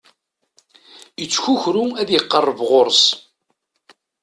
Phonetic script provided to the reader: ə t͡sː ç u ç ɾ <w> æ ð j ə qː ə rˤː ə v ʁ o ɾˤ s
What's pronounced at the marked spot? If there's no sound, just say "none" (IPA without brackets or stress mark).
u